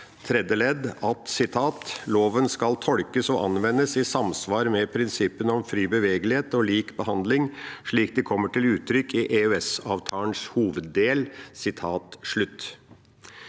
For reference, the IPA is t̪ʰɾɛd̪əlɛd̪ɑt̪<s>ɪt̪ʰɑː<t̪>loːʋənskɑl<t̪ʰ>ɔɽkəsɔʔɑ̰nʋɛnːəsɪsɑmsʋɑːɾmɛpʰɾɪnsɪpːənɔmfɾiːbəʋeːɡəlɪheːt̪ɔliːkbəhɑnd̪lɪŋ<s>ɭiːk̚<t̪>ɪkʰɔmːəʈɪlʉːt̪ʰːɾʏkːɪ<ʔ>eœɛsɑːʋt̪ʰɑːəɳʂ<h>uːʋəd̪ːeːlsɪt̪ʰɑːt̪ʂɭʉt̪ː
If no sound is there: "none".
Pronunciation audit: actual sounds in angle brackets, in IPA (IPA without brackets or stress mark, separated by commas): s, t̪, t̪ʰ, ʂ, d̪, ʔ, h